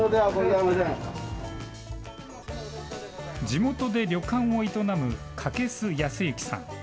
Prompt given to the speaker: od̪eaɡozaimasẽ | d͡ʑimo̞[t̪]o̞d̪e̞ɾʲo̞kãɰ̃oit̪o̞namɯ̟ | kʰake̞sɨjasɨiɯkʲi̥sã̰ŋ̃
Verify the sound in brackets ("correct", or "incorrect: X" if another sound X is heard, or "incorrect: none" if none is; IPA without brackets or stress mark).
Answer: correct